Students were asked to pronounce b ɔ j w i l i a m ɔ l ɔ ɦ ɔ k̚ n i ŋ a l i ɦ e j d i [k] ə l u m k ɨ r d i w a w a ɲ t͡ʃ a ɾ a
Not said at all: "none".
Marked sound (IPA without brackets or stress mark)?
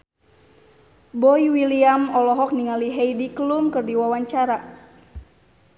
k